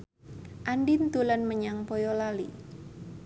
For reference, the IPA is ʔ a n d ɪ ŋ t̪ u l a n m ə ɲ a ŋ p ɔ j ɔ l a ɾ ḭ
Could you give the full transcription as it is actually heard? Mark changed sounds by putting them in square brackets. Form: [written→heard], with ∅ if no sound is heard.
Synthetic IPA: ʔ a n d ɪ [ŋ→n] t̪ u l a n m ə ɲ a ŋ p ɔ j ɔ l a [ɾ→l] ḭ